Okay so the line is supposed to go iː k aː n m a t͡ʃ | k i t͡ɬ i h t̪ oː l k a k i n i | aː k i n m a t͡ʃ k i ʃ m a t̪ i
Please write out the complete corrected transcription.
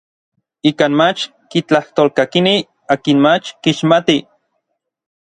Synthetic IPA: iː k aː n m a t͡ʃ | k i t͡ɬ a h t̪ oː l k a k i n i | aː k i n m a t͡ʃ k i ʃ m a t̪ i